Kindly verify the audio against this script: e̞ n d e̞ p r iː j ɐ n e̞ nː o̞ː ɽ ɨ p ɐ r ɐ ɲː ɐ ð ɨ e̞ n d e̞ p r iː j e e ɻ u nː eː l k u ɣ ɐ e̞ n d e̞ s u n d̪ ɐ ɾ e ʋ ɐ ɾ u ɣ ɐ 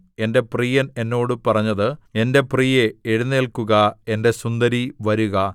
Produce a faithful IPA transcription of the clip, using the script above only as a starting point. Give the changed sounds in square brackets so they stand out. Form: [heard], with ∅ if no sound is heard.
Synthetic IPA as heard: e̞ n d e̞ p r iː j ɐ n e̞ nː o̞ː ɽ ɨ p ɐ r ɐ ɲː ɐ ð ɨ e̞ n d e̞ p r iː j e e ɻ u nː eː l k u ɣ ɐ e̞ n d e̞ s u n d̪ ɐ ɾ [i] ʋ ɐ ɾ u ɣ ɐ

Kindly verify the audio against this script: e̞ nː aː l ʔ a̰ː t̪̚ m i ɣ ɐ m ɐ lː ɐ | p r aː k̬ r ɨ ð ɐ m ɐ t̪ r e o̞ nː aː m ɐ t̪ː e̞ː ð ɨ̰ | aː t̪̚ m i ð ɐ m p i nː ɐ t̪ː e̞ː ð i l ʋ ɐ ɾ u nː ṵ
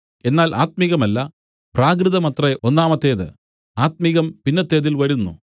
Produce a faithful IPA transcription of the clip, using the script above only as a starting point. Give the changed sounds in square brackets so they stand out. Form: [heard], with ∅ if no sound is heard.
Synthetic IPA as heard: e̞ nː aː l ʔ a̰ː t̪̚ m i ɣ ɐ m ɐ lː ɐ | p r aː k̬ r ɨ ð ɐ m ɐ t̪ r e o̞ nː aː m ɐ t̪ː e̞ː ð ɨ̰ | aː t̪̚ m i [ɣ] ɐ m p i nː ɐ t̪ː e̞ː ð i l ʋ ɐ ɾ u nː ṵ

